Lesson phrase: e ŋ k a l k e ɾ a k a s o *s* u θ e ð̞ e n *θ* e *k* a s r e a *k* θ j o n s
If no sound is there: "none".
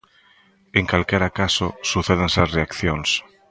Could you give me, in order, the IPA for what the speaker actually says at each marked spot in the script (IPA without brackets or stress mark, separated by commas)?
s, s, none, k